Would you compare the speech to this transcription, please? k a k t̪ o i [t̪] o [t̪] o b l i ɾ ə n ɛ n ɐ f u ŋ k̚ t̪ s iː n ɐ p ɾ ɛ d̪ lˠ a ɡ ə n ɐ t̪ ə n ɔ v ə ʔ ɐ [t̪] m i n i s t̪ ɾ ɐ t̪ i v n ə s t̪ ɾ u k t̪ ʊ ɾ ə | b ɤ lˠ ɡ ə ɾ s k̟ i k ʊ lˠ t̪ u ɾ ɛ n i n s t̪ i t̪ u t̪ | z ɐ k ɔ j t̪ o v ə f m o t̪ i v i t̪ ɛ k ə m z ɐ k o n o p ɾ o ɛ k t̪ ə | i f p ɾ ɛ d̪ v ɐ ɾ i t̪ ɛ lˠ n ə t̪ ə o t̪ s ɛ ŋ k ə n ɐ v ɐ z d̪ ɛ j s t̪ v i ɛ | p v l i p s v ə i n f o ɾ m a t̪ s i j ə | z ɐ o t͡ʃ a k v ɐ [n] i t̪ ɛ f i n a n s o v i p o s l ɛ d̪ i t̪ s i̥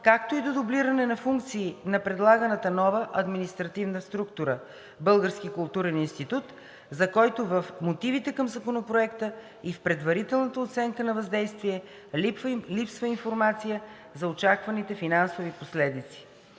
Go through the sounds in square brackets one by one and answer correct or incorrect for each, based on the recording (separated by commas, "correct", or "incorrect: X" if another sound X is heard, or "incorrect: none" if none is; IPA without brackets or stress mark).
incorrect: d̪, incorrect: d̪, incorrect: d̪, correct